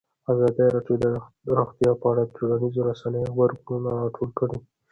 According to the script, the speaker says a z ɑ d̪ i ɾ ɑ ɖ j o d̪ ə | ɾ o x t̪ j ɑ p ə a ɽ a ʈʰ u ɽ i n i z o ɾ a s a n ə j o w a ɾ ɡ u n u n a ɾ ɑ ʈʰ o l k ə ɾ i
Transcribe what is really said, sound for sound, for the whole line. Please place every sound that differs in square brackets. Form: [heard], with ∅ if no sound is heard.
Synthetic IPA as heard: a z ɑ d̪ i ɾ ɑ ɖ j o d̪ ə | ɾ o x t̪ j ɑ p ə a ɽ a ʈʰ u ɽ [a] n i z o ɾ a s a n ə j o w a ɾ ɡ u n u n a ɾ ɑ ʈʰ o l k ə [ɽ] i